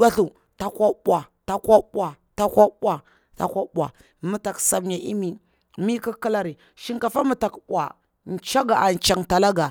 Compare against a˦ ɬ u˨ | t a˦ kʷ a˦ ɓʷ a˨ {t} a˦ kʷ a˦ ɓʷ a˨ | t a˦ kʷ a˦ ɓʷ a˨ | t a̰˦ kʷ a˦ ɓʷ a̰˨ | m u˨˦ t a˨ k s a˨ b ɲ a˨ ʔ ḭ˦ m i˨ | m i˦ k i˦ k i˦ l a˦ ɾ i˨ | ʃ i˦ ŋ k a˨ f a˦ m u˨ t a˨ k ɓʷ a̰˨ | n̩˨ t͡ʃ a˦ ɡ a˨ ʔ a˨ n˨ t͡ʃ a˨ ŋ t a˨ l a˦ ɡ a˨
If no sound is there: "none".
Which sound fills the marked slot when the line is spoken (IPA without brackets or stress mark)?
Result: t